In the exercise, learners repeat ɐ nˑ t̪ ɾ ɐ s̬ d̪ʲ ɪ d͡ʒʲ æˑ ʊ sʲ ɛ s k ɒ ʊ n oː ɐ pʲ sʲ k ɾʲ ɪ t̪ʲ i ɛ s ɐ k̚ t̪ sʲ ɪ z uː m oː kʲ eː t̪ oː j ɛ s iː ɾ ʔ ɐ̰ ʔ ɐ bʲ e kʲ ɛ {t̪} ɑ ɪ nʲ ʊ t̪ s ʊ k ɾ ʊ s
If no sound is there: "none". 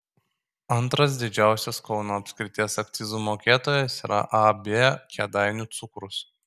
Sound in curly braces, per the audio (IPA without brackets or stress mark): d̪